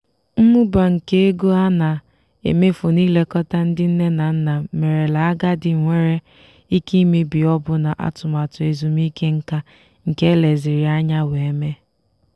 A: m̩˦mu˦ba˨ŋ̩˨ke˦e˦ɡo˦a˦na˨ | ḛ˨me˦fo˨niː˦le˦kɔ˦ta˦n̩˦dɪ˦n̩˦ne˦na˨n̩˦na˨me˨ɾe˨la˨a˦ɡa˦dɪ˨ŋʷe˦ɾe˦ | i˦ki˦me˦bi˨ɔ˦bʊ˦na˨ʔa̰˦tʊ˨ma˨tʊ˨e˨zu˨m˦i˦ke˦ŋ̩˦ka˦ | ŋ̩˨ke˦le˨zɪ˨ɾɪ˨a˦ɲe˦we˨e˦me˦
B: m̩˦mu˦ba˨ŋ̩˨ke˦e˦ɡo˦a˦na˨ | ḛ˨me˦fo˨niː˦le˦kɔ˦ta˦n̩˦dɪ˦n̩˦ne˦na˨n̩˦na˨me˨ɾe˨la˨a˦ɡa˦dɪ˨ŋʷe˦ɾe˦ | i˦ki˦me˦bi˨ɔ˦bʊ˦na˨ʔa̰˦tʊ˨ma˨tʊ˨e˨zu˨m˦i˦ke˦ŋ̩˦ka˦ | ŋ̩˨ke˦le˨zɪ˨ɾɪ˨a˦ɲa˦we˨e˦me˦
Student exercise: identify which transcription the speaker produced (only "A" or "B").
B